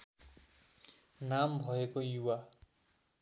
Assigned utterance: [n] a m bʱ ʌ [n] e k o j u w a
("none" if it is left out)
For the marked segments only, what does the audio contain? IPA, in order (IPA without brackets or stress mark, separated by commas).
n, none